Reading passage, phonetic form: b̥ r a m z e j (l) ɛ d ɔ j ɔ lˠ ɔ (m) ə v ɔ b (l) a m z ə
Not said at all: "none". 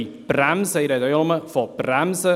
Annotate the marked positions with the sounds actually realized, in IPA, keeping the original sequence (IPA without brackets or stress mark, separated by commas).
ɾ, m, r